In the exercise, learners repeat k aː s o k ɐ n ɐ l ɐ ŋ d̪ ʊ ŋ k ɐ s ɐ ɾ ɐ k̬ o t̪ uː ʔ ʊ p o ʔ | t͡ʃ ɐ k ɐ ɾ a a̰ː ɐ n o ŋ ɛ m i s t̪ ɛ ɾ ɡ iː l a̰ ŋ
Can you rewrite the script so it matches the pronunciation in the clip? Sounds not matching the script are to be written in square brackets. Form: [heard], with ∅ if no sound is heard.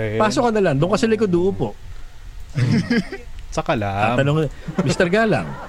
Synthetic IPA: [p] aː s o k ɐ n ɐ l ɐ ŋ d̪ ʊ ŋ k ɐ s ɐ [l] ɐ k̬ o [d̪] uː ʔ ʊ p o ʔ | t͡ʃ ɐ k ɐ [l] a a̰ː ɐ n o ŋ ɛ m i s t̪ ɛ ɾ ɡ [aː] l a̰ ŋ